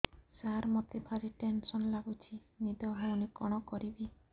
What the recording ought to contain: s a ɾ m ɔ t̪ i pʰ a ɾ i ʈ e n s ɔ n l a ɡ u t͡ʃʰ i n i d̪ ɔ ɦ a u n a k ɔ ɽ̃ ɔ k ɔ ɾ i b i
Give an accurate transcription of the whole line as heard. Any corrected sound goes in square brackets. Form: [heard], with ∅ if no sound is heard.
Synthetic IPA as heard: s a ɾ m ɔ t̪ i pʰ a ɾ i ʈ e n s ɔ n l a ɡ u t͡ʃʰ i n i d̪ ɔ ɦ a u n [i] k ɔ ɽ̃ ɔ k ɔ ɾ i b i

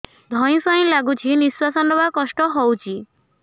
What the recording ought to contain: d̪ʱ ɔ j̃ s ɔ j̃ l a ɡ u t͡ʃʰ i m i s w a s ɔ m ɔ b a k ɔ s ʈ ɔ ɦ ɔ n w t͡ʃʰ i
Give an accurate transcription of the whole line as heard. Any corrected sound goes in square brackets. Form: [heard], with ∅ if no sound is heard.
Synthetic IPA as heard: d̪ʱ ɔ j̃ s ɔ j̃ l a ɡ u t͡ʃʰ i [n] i s w a s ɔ [n] ɔ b a k ɔ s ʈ ɔ ɦ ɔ [∅] w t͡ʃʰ i

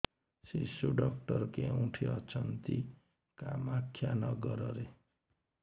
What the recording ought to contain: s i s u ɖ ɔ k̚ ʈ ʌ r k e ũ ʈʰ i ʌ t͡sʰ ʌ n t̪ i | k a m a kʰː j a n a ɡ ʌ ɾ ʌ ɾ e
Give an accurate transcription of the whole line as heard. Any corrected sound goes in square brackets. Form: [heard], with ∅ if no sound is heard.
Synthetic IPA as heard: s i s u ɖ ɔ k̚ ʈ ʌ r k e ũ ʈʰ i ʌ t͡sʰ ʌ n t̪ i | k a m a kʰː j a n [ʌ] ɡ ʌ ɾ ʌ ɾ e

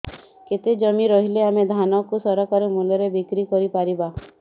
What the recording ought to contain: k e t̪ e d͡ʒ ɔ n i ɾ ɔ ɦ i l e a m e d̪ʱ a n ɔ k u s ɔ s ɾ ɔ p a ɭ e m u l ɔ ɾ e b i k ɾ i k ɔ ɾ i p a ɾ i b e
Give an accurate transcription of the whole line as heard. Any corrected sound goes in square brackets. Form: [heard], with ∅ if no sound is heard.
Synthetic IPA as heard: k e t̪ e d͡ʒ ɔ [m] i ɾ ɔ ɦ i l e a m e d̪ʱ a n ɔ k u s ɔ [∅] ɾ ɔ [k] a [ɾ] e m u l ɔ ɾ e b i k ɾ i k ɔ ɾ i p a ɾ i b [a]

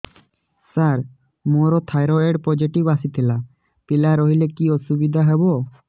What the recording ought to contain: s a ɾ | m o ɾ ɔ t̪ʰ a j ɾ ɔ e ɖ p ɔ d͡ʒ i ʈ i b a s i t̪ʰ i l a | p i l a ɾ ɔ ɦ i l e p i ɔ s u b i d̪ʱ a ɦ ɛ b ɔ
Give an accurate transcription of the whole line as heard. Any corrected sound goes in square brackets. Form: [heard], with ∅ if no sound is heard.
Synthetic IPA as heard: s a ɾ | m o ɾ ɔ t̪ʰ a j ɾ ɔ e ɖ p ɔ d͡ʒ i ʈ i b a s i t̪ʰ i l a | p i l a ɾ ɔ ɦ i l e [k] i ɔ s u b i d̪ʱ a ɦ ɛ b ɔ

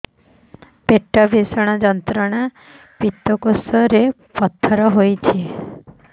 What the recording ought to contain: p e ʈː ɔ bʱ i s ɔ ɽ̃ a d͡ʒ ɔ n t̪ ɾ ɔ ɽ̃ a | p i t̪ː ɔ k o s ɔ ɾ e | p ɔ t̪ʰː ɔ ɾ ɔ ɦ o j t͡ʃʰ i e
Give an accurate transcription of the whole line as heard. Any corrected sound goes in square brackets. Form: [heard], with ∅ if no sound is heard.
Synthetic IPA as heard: p e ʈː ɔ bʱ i s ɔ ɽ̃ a d͡ʒ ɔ n t̪ ɾ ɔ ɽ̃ a | p i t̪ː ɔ k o s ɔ ɾ e | p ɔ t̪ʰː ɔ ɾ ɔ ɦ o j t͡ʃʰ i e

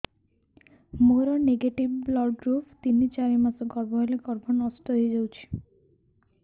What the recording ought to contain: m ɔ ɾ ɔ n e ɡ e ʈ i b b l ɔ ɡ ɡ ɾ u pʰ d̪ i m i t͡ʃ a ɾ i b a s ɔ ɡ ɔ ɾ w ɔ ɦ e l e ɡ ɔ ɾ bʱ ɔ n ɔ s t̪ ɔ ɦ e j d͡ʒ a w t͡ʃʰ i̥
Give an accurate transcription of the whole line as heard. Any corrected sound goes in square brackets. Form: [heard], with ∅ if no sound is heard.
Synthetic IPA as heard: m [o] ɾ ɔ n e ɡ e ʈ i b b l ɔ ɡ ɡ ɾ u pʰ [t̪] i [n] i t͡ʃ a ɾ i [m] a s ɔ ɡ ɔ ɾ [b] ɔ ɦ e l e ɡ ɔ ɾ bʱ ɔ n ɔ s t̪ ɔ ɦ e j d͡ʒ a w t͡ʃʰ i̥

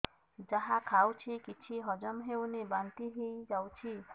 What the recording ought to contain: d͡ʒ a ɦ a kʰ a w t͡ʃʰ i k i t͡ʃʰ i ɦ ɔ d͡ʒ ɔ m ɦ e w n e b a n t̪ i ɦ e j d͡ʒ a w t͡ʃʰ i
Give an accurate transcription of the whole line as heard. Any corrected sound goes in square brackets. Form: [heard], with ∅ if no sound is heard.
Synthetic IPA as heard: d͡ʒ a ɦ a kʰ a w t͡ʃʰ i k i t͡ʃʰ i ɦ ɔ d͡ʒ ɔ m ɦ e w n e b a n t̪ i ɦ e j d͡ʒ a w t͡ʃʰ i

